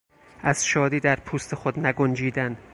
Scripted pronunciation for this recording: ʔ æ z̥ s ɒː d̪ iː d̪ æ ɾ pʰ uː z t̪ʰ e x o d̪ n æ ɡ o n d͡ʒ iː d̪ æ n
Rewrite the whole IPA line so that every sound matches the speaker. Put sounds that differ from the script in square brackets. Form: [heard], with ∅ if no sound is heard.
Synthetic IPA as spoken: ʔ æ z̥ [ʃ] ɒː d̪ iː d̪ æ ɾ pʰ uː [s] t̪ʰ e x o d̪ n æ ɡ o n d͡ʒ iː d̪ æ n